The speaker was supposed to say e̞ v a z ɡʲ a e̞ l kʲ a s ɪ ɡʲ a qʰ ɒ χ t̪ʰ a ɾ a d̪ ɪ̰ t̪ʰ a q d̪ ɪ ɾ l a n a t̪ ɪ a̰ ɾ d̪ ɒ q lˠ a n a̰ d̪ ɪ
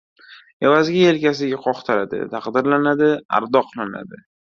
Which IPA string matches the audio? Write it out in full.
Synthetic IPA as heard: e̞ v a z ɡʲ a e̞ l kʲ a s ɪ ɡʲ a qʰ ɒ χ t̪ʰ a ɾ a d̪ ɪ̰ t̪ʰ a q d̪ ɪ ɾ l a n a d̪ ɪ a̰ ɾ d̪ ɒ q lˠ a n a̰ d̪ ɪ